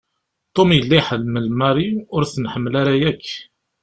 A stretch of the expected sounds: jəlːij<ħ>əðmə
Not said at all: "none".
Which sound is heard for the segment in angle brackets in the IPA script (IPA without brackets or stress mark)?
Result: ħ